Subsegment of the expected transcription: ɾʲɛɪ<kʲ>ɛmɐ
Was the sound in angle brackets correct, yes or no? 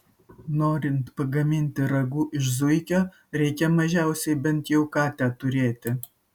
yes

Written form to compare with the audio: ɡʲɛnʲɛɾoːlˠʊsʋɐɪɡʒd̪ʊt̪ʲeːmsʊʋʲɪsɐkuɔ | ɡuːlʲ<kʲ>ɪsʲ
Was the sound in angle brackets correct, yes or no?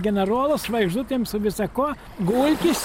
yes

